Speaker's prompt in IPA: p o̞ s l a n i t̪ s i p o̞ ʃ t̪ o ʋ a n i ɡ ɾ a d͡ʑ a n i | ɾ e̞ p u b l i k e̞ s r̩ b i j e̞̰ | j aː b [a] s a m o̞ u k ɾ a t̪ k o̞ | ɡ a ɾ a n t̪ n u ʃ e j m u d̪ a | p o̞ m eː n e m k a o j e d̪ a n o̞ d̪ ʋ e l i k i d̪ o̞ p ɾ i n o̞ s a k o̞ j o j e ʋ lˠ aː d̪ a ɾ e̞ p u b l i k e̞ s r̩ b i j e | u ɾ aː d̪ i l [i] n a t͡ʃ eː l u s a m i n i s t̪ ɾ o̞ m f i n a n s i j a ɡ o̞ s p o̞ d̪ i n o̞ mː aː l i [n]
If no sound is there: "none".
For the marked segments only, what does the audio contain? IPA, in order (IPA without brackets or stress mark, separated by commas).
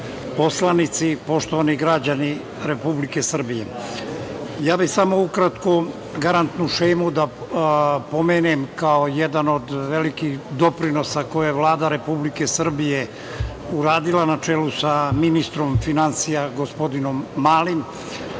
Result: i, a, m